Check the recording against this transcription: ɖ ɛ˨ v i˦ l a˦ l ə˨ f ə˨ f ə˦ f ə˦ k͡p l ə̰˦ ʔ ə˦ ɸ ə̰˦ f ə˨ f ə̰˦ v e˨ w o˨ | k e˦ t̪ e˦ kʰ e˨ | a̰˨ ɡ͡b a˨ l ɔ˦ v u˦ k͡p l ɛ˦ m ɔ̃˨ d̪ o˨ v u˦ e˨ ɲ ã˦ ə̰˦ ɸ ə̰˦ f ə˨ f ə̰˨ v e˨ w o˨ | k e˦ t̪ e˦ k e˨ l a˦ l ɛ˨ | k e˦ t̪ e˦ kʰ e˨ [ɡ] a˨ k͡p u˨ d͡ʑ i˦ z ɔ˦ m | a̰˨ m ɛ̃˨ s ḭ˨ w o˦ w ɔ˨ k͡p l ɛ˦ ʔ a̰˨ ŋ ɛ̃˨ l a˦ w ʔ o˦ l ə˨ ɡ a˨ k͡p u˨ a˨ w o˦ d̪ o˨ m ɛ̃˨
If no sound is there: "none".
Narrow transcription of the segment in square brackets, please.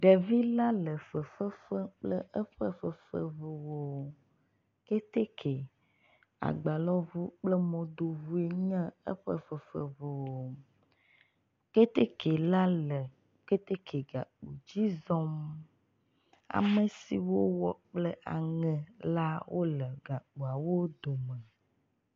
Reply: ɡ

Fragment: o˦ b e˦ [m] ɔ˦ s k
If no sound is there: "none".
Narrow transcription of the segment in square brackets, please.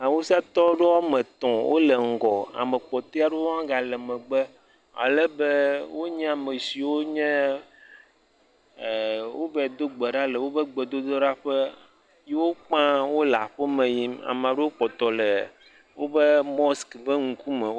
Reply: m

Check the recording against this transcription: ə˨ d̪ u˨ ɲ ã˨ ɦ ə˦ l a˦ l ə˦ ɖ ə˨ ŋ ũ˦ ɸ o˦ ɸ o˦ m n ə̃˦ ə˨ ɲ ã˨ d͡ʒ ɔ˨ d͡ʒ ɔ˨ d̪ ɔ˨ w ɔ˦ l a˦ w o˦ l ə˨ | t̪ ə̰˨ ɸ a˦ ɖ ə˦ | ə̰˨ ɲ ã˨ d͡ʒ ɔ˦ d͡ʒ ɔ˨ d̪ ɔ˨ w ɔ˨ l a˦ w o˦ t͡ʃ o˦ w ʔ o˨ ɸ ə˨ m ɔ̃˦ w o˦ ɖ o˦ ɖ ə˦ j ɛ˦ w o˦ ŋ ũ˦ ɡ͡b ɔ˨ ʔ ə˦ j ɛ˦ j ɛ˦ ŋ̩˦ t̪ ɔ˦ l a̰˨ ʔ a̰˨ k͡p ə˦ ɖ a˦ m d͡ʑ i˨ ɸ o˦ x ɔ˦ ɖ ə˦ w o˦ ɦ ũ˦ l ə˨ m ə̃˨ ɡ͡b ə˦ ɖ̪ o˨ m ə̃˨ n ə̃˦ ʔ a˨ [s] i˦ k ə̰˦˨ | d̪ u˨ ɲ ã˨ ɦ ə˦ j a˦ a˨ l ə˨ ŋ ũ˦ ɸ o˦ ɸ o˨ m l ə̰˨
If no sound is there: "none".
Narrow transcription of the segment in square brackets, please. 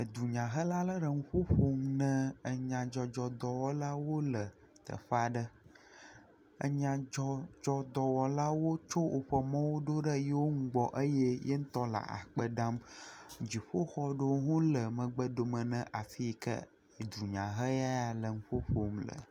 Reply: f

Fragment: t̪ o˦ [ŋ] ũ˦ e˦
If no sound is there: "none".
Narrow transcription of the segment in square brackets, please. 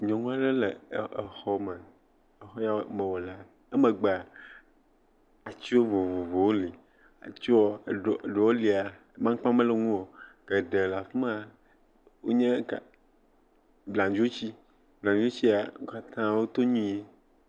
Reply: ɲ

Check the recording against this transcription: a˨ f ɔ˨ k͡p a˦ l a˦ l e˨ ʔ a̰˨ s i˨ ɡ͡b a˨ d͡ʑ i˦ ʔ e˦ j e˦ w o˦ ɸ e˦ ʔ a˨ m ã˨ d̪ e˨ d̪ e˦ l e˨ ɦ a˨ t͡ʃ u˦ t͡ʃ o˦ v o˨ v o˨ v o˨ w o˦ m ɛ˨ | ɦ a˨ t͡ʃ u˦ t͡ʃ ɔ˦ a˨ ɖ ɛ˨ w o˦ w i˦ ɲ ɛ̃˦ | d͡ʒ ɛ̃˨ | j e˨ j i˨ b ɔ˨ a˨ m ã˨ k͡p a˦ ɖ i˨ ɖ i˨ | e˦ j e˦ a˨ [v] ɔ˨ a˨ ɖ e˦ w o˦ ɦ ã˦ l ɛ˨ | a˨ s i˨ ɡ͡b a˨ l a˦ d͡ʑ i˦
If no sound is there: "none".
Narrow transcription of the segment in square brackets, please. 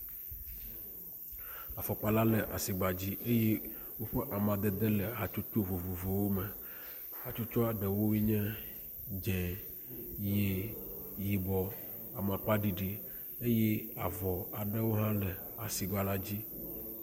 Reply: v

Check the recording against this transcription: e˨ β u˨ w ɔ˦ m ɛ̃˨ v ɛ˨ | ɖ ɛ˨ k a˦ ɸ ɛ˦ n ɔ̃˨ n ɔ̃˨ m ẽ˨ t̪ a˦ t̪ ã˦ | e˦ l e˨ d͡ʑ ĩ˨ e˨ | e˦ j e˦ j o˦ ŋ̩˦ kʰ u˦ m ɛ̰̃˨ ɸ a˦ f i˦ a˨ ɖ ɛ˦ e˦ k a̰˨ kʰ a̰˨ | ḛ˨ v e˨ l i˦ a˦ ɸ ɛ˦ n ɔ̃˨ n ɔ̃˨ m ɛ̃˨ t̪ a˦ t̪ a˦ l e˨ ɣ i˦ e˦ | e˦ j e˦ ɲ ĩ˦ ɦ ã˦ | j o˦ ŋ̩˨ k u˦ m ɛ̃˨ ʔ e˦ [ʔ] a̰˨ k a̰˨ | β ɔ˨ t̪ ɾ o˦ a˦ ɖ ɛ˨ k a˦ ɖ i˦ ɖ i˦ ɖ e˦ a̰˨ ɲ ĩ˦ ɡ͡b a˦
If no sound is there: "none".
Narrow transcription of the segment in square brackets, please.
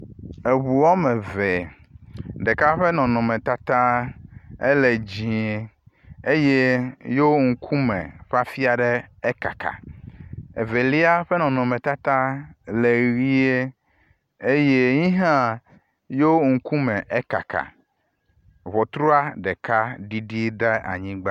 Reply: k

